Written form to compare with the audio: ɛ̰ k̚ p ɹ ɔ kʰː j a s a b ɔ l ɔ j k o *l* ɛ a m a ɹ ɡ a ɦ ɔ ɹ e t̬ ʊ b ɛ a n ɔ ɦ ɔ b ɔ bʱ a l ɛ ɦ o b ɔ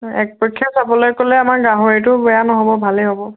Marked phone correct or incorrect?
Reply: correct